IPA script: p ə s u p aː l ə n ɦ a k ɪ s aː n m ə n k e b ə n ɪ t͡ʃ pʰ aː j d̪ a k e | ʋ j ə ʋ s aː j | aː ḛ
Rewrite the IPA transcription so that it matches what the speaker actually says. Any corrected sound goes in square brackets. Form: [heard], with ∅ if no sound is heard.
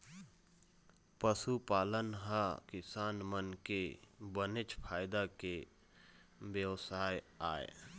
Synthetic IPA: p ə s u p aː l ə n ɦ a k ɪ s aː n m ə n k e b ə n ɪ t͡ʃ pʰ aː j d̪ a k e | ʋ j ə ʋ s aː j | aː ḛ

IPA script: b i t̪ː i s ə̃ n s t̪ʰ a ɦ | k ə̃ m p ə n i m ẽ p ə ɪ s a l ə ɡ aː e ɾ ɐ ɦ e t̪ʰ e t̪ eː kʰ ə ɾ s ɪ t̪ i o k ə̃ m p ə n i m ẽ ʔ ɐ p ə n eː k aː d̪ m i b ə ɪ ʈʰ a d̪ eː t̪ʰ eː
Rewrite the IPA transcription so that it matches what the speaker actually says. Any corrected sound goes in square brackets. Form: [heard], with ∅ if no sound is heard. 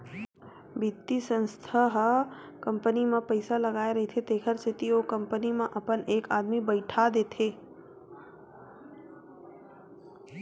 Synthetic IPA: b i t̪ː i s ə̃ n s t̪ʰ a ɦ | k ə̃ m p ə n i m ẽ p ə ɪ s a l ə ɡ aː e ɾ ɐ ɦ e t̪ʰ e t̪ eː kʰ ə ɾ s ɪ t̪ i o k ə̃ m p ə n i m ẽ ʔ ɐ p ə n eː k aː d̪ m i b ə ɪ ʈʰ a d̪ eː t̪ʰ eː

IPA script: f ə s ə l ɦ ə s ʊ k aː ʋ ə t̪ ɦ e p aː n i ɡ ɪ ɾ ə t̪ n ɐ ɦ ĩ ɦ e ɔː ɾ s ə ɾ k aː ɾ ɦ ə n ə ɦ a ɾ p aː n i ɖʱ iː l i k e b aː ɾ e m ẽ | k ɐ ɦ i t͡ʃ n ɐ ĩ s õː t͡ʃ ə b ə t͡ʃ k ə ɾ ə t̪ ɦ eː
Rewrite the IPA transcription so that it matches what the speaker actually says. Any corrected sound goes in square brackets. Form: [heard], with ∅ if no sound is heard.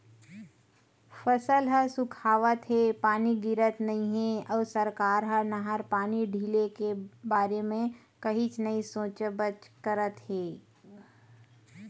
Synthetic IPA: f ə s ə l ɦ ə s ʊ [kʰ] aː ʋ ə t̪ ɦ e p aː n i ɡ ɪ ɾ ə t̪ n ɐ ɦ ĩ ɦ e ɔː ɾ s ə ɾ k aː ɾ ɦ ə n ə ɦ a ɾ p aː n i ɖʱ iː l [e] k e b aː ɾ e m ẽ | k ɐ ɦ i t͡ʃ n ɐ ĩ s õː t͡ʃ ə b ə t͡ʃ k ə ɾ ə t̪ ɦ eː

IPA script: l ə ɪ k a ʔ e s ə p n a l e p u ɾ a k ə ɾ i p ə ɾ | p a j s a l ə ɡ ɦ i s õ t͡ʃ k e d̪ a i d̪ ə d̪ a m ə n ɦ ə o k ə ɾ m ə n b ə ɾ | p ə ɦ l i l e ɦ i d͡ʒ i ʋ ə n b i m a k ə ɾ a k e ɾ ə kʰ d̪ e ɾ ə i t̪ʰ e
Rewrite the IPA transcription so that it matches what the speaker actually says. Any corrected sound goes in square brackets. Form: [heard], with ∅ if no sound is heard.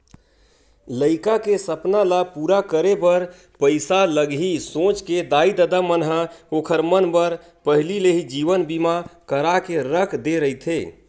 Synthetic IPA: l ə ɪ k a [k] e s ə p n a l [a] p u ɾ a k ə ɾ [e] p ə ɾ | p [ə] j s a l ə ɡ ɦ i s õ t͡ʃ k e d̪ a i d̪ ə d̪ a m ə n ɦ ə o [kʰ] ə ɾ m ə n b ə ɾ | p ə ɦ l i l e ɦ i d͡ʒ i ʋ ə n b i m a k ə ɾ a k e ɾ ə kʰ d̪ e ɾ ə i t̪ʰ e

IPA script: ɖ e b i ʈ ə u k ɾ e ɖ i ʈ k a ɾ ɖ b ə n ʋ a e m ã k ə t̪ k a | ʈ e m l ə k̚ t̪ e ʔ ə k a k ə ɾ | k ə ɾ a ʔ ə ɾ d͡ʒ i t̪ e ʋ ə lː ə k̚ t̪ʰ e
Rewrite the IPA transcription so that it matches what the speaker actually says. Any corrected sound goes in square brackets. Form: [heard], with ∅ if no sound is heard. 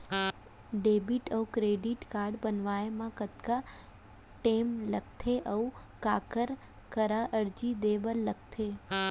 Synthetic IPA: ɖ e b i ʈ ə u k ɾ e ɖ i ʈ k a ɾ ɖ b ə n ʋ a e m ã k ə t̪ k a | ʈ e m l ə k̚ [t̪ʰ] e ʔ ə k a k ə ɾ | k ə ɾ a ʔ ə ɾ d͡ʒ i [d̪] e ʋ ə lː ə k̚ t̪ʰ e

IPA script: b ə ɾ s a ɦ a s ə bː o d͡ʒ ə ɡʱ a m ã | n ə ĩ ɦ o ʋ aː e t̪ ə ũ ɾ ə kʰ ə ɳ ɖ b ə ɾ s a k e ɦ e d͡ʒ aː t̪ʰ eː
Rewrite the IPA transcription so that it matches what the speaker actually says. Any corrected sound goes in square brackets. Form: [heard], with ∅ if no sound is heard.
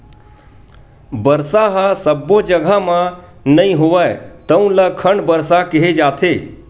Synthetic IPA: b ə ɾ s a ɦ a s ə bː o d͡ʒ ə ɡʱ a m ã | n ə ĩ ɦ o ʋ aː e t̪ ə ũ [l] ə kʰ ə ɳ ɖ b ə ɾ s a k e ɦ e d͡ʒ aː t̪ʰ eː

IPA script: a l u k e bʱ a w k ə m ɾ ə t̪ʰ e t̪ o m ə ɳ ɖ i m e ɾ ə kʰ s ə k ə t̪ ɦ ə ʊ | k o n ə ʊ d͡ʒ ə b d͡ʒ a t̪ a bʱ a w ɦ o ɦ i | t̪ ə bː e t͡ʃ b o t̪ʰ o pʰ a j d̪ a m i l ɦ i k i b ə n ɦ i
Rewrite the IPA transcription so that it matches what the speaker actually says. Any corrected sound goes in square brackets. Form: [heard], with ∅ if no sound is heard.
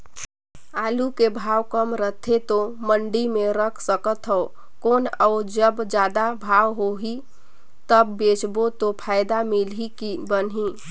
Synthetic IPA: a l u k e bʱ a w k ə m ɾ ə t̪ʰ e t̪ o m ə ɳ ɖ i m e ɾ ə kʰ s ə k ə t̪ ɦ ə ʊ | k o n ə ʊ d͡ʒ ə b d͡ʒ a [d̪] a bʱ a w ɦ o ɦ i | t̪ ə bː e t͡ʃ b o [t̪] o pʰ a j d̪ a m i l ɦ i k i b ə n ɦ i

